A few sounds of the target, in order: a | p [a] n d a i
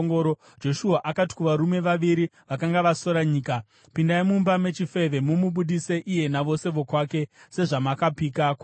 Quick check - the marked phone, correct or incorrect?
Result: incorrect